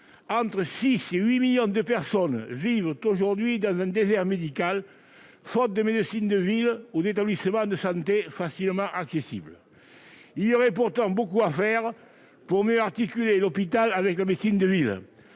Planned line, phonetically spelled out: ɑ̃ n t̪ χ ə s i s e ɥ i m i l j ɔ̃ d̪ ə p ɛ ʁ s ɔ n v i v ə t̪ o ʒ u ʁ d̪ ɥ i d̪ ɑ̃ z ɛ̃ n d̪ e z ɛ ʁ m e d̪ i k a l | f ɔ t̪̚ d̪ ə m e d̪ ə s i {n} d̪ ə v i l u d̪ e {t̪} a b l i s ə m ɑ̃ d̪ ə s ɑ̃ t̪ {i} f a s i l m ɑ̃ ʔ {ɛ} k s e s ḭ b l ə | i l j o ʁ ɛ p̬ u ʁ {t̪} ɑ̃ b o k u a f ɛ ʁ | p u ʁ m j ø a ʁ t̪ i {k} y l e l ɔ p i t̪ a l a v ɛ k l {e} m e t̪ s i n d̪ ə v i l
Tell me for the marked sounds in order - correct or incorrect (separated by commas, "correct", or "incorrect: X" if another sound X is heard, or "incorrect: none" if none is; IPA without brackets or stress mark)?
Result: correct, correct, incorrect: e, incorrect: a, correct, correct, incorrect: a